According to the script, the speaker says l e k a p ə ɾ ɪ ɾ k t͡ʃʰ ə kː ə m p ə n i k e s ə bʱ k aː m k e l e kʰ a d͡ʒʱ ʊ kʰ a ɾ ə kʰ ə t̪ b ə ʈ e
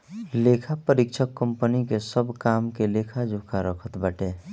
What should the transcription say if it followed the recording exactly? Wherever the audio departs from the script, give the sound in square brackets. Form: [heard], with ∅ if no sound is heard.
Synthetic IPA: l e [kʰ] a p ə ɾ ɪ [∅] k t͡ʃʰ ə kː ə m p ə n i k e s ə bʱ k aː m k e l e kʰ a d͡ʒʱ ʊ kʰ a ɾ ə kʰ ə t̪ b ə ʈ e